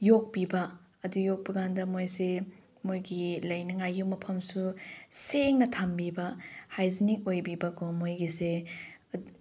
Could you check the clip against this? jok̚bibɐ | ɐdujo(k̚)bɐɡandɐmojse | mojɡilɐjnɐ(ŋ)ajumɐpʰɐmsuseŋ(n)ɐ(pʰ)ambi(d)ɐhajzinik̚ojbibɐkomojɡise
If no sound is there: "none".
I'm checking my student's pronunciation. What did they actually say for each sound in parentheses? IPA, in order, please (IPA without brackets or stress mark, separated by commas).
k̚, ŋ, n, tʰ, b